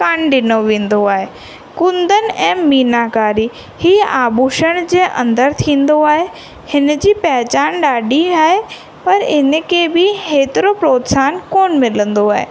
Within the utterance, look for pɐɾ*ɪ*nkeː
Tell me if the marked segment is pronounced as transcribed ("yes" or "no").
yes